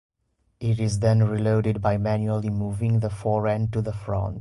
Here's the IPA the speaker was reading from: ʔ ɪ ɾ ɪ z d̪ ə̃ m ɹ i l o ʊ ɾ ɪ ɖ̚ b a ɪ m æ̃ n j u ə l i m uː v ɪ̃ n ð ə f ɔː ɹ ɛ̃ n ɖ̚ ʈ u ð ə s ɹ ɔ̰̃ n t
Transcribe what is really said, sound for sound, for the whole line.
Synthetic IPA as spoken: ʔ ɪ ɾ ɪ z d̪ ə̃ n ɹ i l o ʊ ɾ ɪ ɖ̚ b a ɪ m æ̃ n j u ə l i m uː v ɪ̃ ŋ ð ə f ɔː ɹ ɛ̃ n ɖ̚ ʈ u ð ə f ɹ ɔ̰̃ n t